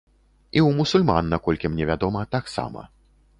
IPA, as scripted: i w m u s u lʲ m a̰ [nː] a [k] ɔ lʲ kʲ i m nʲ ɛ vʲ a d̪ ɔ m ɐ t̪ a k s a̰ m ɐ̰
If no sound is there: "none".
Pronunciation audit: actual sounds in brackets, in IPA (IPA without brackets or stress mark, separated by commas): nː, k